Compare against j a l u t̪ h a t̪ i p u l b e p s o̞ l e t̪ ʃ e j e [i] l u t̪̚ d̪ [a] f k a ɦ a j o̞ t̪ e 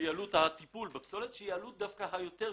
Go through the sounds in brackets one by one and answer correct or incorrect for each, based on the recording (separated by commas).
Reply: incorrect, correct